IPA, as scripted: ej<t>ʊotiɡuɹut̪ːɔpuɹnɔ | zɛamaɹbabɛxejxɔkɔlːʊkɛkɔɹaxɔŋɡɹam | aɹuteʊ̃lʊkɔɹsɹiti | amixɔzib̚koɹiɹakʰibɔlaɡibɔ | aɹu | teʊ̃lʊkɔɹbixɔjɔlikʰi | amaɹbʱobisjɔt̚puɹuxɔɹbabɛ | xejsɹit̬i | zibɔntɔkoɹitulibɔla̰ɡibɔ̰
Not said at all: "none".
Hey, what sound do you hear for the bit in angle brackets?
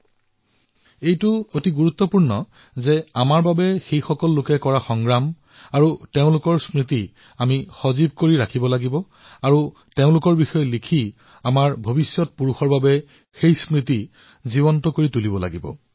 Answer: t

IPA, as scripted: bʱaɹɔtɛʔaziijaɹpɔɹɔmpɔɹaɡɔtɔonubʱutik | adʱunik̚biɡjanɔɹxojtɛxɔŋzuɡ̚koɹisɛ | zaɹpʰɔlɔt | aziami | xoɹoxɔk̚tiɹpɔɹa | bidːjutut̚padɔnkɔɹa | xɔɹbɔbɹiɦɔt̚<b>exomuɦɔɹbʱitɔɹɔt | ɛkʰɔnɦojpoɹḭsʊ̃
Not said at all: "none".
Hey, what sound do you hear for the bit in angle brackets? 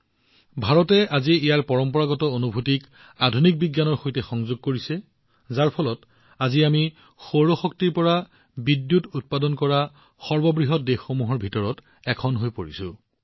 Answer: d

